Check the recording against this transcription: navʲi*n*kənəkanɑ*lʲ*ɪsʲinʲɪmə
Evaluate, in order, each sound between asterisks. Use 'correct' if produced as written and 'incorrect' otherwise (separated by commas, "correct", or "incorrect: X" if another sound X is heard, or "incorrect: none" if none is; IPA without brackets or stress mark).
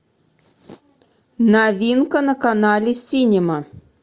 correct, correct